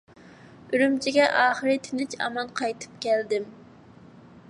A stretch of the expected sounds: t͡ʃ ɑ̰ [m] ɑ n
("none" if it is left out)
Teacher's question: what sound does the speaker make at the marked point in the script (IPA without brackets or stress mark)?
m